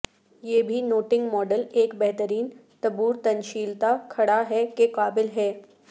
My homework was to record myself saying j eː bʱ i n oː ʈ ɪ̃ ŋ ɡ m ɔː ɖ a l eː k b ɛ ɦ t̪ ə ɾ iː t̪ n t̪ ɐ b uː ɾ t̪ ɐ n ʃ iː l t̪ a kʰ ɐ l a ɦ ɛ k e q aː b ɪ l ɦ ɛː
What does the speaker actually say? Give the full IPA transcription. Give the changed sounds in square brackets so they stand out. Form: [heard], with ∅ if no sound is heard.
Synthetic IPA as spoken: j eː bʱ i n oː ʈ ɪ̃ ŋ ɡ m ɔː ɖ [ə] l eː k b ɛ ɦ t̪ ə ɾ iː [∅] n t̪ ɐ b uː ɾ t̪ ɐ n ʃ iː l t̪ a kʰ ɐ [ɽ] a ɦ ɛ k e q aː b ɪ l ɦ ɛː